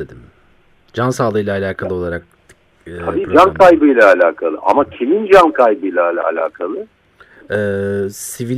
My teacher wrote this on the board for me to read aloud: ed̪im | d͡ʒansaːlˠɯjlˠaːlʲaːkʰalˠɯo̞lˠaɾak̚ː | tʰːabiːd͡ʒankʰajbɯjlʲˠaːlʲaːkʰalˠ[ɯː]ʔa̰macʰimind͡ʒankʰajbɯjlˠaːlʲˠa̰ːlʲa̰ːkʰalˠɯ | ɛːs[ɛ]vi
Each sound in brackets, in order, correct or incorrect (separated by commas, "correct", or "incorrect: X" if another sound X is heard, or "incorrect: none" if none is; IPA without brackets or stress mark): incorrect: ɯ, incorrect: i